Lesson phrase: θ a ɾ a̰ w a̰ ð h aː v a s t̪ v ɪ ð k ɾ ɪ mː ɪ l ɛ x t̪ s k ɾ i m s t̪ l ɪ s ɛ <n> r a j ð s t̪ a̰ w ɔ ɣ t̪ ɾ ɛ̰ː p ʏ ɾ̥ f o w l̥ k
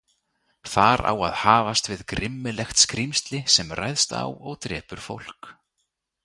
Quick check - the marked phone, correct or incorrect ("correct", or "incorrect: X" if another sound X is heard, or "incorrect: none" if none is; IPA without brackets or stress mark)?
incorrect: m